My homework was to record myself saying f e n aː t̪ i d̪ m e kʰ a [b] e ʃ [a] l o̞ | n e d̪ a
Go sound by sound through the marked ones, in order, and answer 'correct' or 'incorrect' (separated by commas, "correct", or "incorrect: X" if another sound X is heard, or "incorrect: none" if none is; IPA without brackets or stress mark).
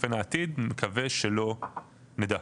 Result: incorrect: v, incorrect: e